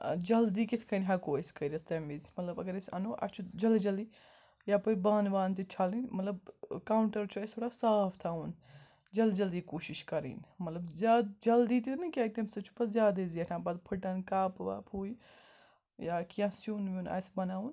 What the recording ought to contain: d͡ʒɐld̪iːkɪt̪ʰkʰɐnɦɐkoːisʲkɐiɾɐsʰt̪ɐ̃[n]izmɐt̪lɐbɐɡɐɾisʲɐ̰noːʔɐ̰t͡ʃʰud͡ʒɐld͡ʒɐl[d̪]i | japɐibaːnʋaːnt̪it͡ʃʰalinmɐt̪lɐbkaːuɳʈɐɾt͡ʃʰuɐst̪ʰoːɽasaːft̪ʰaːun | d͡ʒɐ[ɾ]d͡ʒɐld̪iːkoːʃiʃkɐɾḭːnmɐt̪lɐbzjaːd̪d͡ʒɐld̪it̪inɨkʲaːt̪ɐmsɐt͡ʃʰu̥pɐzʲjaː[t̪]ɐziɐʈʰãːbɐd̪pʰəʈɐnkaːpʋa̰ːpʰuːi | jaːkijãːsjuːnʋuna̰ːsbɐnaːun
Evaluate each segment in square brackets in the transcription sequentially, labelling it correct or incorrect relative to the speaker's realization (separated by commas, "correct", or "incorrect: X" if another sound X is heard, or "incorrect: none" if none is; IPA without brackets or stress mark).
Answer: incorrect: m, correct, incorrect: l, incorrect: d̪